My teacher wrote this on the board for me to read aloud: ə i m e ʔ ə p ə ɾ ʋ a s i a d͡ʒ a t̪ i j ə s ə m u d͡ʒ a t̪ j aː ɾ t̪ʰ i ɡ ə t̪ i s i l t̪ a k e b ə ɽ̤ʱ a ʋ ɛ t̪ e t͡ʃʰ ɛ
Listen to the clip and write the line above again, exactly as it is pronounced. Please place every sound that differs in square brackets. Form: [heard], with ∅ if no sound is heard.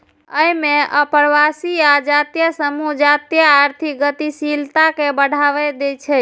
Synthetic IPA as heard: ə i m e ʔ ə p ə ɾ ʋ a s i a d͡ʒ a t̪ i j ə s ə m u d͡ʒ a t̪ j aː ɾ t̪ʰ i ɡ ə t̪ i s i l t̪ a k e b ə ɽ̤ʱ a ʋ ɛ [d̪] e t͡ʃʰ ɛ